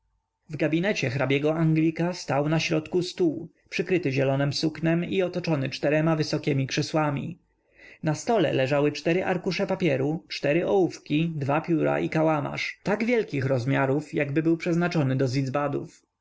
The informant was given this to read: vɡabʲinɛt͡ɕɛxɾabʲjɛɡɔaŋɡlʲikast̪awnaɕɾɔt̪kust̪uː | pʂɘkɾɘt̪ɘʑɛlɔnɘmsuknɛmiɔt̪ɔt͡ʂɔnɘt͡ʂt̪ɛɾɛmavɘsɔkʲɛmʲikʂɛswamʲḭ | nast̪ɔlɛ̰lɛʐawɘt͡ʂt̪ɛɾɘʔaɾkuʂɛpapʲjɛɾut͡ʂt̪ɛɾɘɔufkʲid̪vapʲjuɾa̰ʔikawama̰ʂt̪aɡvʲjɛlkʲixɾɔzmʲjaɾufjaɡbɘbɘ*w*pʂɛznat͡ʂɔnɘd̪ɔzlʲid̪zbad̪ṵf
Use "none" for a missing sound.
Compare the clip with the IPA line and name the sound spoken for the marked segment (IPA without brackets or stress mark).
w